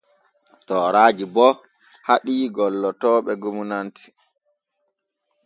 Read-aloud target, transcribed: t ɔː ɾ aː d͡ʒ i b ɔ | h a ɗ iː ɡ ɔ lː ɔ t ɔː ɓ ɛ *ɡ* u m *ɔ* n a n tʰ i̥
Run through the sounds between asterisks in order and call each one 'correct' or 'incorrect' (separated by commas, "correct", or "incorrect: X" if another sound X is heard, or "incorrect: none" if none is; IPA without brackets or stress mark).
correct, incorrect: u